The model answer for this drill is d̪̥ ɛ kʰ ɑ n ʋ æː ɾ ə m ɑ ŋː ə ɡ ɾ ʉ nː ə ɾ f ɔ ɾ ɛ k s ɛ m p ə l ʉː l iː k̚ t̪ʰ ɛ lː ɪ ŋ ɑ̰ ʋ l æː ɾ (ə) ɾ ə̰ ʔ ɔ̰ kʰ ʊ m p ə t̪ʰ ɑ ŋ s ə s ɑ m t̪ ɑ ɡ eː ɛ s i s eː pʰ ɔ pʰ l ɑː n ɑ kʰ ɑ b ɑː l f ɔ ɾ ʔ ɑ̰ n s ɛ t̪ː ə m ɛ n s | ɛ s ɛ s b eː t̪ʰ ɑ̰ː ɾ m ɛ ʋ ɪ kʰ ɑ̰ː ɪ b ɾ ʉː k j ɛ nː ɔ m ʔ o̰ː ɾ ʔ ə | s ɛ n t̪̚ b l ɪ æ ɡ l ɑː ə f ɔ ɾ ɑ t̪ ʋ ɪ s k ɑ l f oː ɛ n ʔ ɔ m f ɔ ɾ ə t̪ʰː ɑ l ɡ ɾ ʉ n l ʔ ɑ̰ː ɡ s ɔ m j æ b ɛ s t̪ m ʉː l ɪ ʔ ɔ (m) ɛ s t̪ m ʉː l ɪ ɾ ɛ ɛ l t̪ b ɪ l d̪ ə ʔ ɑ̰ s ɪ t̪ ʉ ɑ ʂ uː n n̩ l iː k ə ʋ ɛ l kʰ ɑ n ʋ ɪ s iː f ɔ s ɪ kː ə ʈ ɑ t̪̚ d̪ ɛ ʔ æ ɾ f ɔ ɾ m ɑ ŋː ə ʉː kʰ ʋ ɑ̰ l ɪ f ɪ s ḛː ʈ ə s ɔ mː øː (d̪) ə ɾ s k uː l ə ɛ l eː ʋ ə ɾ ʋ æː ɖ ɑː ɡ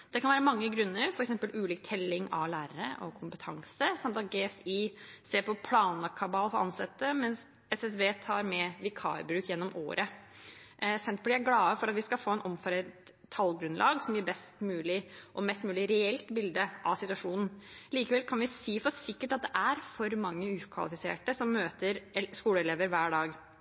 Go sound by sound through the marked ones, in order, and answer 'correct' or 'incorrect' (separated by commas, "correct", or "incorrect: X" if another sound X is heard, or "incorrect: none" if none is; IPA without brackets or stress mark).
correct, correct, incorrect: t̪